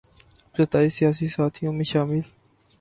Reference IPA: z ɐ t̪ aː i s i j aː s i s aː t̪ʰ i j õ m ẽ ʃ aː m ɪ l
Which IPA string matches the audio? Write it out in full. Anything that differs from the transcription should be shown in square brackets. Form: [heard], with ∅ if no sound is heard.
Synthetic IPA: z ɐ t̪ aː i s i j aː s i s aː t̪ʰ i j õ m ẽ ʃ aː m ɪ l